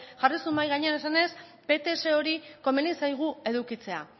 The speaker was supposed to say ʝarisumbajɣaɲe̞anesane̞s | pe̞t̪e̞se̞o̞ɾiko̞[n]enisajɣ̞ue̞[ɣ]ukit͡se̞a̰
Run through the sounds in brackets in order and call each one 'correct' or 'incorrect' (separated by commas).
incorrect, incorrect